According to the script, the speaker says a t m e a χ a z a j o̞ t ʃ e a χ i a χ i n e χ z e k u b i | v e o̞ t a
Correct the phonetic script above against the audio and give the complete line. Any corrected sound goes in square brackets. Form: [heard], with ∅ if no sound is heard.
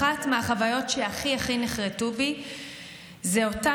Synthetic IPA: a t m e a χ a [v] a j o̞ t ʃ e a χ i a χ i n e χ [ʁ] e [t] u b i | [z] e o̞ t a